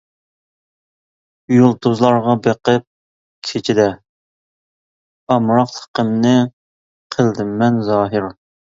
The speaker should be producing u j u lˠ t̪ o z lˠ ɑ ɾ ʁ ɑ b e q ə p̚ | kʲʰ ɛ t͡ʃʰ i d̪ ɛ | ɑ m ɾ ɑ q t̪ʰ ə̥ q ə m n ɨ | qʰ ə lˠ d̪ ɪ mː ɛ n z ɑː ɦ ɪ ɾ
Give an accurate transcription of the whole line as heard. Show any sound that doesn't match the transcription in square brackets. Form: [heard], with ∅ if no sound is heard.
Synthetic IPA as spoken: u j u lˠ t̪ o z lˠ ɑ ɾ ʁ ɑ b e q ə p̚ | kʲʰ [e] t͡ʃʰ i d̪ ɛ | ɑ m ɾ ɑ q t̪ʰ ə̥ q ə m n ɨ | qʰ ə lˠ d̪ ɪ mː ɛ n z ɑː ɦ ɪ ɾ

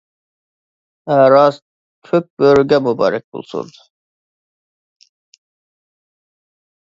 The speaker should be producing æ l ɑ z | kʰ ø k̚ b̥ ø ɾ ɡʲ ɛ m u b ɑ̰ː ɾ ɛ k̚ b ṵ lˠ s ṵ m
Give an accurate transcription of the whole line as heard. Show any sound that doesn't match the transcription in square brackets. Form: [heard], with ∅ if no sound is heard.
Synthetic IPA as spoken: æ [ɾ] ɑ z | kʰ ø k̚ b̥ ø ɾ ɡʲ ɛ m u b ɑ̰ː ɾ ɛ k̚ b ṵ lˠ s ṵ [n]

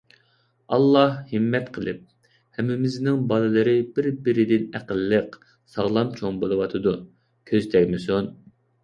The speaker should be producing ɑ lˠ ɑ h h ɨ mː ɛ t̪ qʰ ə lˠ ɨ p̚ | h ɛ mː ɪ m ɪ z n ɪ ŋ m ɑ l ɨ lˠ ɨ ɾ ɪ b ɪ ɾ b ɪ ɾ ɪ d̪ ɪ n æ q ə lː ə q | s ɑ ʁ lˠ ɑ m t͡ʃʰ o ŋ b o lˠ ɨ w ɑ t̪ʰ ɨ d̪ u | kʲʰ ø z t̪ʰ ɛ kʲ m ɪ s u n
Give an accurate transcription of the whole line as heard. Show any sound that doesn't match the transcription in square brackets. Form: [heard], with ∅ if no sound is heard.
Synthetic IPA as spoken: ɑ [lˠː] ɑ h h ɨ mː ɛ t̪ qʰ ə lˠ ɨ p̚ | h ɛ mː ɪ m ɪ z n ɪ ŋ [b] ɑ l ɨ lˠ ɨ ɾ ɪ b ɪ ɾ b ɪ ɾ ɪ d̪ ɪ n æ q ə lː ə q | s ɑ ʁ lˠ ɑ m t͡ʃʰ o ŋ b o lˠ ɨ w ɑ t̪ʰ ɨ d̪ u | kʲʰ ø z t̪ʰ ɛ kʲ m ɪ s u n

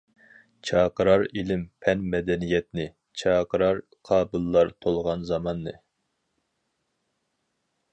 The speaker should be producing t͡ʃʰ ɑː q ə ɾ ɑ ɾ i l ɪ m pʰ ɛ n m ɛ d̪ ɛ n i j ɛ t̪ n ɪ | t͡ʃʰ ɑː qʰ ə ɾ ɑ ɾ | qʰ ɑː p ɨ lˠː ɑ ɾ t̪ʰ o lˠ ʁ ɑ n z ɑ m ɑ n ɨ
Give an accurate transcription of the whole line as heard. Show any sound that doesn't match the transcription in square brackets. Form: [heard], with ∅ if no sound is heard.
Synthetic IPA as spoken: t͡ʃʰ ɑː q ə ɾ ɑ ɾ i l ɪ m pʰ ɛ n m ɛ d̪ ɛ n i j ɛ t̪ n ɪ | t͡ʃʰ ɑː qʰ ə ɾ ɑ ɾ | qʰ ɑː [b] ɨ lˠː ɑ ɾ t̪ʰ o lˠ ʁ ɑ n z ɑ m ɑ [nː] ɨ

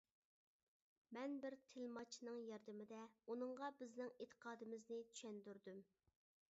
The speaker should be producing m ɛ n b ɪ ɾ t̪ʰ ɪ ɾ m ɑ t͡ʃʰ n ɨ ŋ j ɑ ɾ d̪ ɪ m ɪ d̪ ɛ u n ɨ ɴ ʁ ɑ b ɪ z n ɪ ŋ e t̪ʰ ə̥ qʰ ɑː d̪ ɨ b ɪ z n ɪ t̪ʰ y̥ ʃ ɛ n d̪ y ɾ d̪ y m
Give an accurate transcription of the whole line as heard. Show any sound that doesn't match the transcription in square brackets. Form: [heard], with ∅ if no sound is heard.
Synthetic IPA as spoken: m ɛ n b ɪ ɾ t̪ʰ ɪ [l] m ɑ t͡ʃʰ n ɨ ŋ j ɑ ɾ d̪ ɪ m ɪ d̪ ɛ u n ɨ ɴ ʁ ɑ b ɪ z n ɪ ŋ e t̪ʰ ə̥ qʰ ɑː d̪ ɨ [m] ɪ z n ɪ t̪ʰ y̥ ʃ ɛ n d̪ y ɾ d̪ y m

